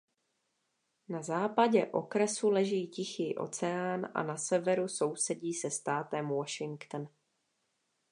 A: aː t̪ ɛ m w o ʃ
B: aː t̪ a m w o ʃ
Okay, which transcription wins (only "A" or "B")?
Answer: A